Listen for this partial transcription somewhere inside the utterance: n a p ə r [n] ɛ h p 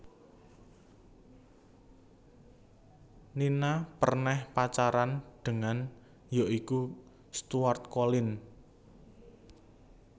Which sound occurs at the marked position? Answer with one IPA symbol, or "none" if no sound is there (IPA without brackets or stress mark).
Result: n